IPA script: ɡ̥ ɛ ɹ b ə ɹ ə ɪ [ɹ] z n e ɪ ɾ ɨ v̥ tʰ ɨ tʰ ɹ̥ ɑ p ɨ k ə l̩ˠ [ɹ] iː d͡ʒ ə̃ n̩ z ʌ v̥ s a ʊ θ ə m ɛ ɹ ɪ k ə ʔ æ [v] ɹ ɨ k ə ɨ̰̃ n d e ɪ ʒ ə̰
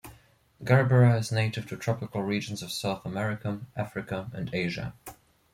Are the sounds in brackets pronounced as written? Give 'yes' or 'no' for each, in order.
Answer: no, yes, no

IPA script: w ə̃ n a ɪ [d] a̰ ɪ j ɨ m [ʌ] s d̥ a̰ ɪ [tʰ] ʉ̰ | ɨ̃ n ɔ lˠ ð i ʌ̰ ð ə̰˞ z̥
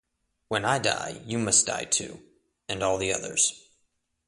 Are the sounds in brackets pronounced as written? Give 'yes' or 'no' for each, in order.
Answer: yes, yes, yes

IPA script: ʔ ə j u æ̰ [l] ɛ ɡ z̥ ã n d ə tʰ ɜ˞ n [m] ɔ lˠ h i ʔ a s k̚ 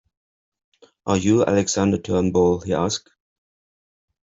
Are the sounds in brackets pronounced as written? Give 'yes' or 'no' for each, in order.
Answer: yes, no

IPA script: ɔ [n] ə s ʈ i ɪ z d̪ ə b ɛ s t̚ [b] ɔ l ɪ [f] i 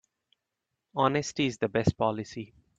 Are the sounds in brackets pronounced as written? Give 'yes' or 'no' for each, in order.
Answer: yes, no, no

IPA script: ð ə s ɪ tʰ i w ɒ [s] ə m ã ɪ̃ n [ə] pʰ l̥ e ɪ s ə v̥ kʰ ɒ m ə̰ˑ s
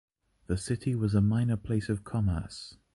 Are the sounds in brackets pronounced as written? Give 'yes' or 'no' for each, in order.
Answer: no, yes

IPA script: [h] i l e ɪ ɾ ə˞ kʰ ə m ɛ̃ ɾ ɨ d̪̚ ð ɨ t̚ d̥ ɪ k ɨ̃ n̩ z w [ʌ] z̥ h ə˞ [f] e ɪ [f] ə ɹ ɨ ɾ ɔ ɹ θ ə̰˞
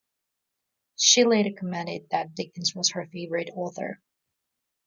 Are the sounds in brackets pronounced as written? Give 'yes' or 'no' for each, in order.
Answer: no, yes, yes, no

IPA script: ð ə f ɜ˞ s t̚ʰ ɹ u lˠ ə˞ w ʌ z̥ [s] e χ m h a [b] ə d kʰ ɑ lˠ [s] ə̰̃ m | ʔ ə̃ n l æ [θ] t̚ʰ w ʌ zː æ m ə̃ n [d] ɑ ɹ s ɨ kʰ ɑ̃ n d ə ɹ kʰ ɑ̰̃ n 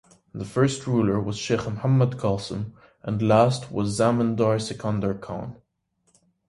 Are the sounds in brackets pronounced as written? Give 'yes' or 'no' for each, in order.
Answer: no, no, yes, no, yes

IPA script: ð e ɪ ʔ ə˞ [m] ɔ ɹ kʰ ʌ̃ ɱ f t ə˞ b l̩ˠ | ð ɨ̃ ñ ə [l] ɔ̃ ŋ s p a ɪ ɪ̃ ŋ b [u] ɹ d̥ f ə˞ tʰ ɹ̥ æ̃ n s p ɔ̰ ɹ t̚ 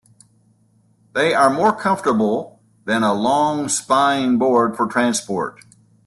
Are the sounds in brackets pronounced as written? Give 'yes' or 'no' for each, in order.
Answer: yes, yes, no

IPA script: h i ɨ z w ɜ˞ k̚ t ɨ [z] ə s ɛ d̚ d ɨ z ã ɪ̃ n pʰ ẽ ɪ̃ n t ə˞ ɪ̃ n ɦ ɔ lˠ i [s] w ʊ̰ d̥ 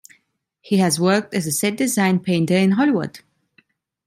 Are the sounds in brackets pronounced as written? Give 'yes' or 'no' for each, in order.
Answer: yes, no

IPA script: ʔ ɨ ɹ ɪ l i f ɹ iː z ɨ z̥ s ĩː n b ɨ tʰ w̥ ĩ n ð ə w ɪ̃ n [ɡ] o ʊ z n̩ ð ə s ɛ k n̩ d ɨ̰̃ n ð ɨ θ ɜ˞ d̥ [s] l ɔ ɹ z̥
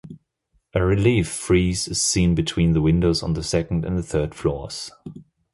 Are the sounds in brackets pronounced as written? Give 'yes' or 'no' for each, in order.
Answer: no, no

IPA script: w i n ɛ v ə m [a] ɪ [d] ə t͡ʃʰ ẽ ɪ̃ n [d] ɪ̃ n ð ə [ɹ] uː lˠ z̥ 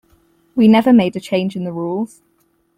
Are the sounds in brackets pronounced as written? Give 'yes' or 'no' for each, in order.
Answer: no, yes, no, yes

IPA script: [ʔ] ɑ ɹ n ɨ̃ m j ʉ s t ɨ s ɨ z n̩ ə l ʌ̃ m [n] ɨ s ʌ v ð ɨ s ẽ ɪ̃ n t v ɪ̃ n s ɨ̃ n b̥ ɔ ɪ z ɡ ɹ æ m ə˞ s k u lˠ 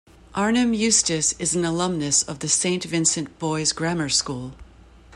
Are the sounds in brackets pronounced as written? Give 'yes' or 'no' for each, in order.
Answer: yes, yes

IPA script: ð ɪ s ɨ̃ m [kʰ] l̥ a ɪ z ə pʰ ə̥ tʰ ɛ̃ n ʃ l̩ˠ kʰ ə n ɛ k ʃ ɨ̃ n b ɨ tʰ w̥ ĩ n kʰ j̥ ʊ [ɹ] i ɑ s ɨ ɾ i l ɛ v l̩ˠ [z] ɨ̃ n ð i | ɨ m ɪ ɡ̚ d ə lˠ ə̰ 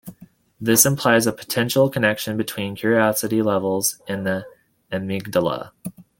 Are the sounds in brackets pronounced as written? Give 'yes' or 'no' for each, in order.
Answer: no, yes, yes

